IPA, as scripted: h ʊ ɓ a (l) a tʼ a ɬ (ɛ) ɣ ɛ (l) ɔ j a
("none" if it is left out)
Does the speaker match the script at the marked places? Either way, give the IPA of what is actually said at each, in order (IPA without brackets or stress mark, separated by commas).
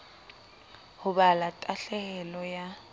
l, ɛ, l